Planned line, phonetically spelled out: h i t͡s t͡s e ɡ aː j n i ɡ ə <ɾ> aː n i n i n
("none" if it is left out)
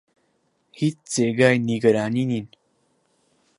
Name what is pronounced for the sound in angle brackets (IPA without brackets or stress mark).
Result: ɾ